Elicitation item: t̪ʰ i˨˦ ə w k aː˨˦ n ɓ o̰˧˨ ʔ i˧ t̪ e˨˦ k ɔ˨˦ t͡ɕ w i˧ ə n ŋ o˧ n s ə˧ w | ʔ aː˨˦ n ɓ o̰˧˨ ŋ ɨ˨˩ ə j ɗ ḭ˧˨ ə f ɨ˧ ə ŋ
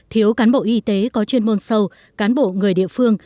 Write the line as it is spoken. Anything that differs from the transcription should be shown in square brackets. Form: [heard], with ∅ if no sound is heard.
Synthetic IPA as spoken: t̪ʰ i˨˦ ə w k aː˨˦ n ɓ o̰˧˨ ʔ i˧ t̪ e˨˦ k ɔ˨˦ t͡ɕ w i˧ ə n [m] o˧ n s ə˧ w | [k] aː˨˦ n ɓ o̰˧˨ ŋ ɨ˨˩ ə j ɗ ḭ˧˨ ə f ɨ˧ ə ŋ

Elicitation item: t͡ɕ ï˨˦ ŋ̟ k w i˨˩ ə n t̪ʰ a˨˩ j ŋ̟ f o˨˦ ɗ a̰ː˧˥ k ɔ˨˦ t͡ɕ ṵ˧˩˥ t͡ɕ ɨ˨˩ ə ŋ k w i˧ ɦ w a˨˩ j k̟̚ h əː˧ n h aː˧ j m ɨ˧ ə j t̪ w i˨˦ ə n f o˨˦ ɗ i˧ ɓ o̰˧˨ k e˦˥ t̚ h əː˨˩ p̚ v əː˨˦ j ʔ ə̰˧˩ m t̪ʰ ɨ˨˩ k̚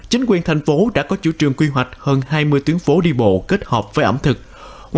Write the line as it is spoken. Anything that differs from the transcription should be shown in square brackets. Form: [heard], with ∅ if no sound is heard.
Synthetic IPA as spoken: t͡ɕ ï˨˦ ŋ̟ k w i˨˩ ə n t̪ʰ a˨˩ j ŋ̟ f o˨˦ ɗ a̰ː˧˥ k ɔ˨˦ t͡ɕ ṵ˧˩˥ t͡ɕ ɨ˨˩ ə ŋ k w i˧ ɦ w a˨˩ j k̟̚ h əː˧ n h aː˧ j m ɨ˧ ə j t̪ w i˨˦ ə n f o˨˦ ɗ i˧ ɓ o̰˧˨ k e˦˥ t̚ h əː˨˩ p̚ v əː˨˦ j ʔ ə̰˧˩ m t̪ʰ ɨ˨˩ k̚

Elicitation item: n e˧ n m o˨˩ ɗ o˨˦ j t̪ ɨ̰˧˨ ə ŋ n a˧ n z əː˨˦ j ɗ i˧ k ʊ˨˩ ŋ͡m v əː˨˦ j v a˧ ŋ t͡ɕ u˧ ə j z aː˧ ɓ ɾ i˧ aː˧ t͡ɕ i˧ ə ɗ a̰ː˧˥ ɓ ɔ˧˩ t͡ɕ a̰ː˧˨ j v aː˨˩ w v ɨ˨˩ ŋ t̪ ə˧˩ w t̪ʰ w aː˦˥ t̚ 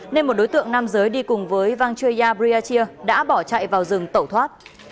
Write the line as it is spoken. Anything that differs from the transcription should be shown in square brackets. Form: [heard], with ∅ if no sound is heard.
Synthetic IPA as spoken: n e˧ n m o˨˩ ɗ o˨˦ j t̪ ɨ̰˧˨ ə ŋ n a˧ [m] z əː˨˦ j ɗ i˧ k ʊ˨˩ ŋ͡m v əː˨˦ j v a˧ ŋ t͡ɕ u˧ ə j z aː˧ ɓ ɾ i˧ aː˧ t͡ɕ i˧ ə ɗ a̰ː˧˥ ɓ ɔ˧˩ t͡ɕ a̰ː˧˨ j v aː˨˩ w [z] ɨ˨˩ ŋ t̪ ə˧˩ w t̪ʰ w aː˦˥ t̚

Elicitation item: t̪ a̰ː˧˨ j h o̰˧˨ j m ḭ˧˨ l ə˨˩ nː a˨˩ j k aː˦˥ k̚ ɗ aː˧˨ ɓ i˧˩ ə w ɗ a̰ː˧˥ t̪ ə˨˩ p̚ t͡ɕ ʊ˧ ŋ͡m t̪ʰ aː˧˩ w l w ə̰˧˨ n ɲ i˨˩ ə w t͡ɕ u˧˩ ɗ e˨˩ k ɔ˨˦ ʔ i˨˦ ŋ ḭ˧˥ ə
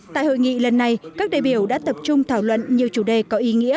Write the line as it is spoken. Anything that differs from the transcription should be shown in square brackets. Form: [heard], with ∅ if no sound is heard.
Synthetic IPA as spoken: t̪ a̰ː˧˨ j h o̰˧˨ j [ŋ] ḭ˧˨ l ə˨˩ nː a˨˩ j k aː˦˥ k̚ ɗ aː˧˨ ɓ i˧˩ ə w ɗ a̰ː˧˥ t̪ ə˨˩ p̚ t͡ɕ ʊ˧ ŋ͡m t̪ʰ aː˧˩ w l w ə̰˧˨ n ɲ i˨˩ ə w t͡ɕ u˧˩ ɗ e˨˩ k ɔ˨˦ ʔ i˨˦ ŋ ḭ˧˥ ə

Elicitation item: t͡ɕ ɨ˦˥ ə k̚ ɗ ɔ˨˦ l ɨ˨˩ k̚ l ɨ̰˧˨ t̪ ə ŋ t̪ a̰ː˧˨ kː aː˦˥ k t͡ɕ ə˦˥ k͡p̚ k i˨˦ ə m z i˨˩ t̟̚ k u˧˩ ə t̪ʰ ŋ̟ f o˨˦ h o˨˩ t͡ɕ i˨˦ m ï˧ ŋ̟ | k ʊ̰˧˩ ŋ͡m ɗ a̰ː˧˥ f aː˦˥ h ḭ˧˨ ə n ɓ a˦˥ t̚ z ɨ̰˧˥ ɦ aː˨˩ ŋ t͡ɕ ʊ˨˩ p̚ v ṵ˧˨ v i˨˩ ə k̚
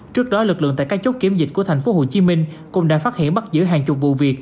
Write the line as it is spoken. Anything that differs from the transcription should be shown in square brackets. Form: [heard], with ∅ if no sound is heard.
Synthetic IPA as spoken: t͡ɕ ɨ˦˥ ə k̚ ɗ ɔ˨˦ l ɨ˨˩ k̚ l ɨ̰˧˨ [∅] ə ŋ t̪ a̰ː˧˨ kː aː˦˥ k t͡ɕ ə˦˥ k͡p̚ k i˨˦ ə m z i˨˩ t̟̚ k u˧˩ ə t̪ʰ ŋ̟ f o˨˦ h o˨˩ t͡ɕ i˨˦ m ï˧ ŋ̟ | k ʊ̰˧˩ ŋ͡m ɗ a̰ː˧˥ f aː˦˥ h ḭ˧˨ ə n ɓ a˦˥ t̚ z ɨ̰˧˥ ɦ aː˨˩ ŋ t͡ɕ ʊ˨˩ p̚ v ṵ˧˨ v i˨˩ ə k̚

